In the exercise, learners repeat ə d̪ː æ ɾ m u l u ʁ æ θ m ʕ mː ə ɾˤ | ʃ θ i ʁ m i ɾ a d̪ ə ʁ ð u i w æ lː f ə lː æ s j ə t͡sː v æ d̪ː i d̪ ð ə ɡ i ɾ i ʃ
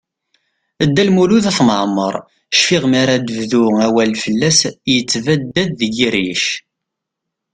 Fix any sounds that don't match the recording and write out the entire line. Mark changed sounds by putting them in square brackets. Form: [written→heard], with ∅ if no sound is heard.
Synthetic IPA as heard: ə d̪ː æ [ɾ→l] m u l u [ʁ→ð] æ θ m ʕ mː ə ɾˤ | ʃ [θ→f] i ʁ m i ɾ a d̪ ə [ʁ→v] ð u [i→æ] w æ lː f ə lː æ s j ə t͡sː v æ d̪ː [i→æ] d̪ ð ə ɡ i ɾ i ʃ